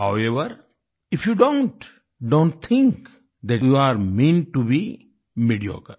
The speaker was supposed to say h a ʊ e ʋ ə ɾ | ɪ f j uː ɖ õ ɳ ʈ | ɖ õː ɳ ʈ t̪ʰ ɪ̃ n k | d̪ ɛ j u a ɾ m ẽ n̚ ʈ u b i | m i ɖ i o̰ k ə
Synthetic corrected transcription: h a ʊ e ʋ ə ɾ | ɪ f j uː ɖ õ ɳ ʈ | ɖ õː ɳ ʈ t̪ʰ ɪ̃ ŋ k | d̪ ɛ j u a ɾ m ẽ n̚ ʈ u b i | m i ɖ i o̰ k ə